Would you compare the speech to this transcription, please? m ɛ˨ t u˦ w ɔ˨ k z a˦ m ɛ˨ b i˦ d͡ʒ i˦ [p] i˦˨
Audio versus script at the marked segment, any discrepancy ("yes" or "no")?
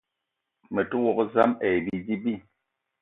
yes